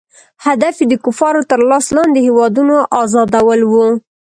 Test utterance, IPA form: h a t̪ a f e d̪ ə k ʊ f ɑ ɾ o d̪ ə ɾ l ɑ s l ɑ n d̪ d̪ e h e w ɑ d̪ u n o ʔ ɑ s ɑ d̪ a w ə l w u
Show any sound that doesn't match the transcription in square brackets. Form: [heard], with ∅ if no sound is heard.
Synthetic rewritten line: h a [d̪] a f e d̪ ə k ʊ f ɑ ɾ o [t̪] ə ɾ l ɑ s l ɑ n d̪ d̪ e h e w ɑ d̪ u n o ʔ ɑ [z] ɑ d̪ a w ə l w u